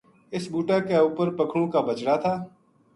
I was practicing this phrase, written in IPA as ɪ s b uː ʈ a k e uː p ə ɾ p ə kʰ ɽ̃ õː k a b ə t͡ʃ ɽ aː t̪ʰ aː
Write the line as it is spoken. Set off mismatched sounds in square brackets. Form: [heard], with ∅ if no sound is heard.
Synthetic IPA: ɪ s b uː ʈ a k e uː p ə ɾ p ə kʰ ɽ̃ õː k a b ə t͡ʃ ɽ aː t̪ʰ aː

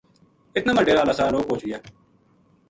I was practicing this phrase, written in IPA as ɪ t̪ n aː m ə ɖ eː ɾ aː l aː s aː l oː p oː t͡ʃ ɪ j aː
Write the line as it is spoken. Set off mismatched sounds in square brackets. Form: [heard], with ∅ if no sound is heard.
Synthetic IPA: ɪ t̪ n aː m ə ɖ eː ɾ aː l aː s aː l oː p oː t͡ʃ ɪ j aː

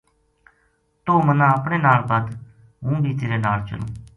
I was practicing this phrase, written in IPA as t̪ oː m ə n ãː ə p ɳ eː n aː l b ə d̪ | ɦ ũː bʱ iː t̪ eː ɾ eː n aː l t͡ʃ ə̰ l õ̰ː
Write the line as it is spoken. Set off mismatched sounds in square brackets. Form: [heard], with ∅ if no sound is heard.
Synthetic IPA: t̪ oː m ə n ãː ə p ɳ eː n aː l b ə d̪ | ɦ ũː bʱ iː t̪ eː ɾ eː n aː l t͡ʃ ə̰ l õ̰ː

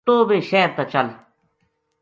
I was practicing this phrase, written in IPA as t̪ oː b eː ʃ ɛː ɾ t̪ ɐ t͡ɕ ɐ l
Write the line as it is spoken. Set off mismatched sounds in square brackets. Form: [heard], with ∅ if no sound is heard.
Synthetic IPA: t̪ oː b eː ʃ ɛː ɾ t̪ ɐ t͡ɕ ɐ l

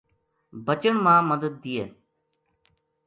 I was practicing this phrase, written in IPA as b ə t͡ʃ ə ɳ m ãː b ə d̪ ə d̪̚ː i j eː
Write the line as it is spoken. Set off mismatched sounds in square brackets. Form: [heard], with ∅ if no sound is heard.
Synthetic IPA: b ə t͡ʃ ə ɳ m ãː [m] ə d̪ ə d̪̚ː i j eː

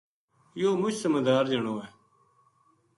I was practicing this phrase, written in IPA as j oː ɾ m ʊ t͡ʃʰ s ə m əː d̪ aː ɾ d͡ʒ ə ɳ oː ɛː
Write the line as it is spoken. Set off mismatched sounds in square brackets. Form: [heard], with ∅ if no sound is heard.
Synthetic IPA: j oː [∅] m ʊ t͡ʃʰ s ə m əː d̪ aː ɾ d͡ʒ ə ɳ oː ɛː

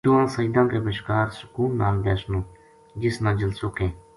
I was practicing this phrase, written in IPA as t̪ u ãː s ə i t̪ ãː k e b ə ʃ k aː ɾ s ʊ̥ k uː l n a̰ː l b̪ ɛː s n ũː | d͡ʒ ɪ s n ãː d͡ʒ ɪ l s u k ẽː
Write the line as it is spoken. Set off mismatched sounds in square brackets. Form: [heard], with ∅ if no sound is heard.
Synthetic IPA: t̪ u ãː s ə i [d̪] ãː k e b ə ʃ k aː ɾ s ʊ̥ k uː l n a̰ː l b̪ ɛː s n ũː | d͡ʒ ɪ s n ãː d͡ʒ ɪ l s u k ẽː

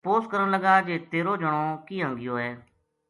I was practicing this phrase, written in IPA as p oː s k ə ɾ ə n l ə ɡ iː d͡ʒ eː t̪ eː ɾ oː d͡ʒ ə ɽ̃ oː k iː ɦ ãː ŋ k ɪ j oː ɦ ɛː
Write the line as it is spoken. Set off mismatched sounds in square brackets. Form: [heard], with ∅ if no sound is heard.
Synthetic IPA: p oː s k ə ɾ ə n l ə ɡ [aː] d͡ʒ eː t̪ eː ɾ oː d͡ʒ ə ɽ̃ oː k iː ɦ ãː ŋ [ɡ] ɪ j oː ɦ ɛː

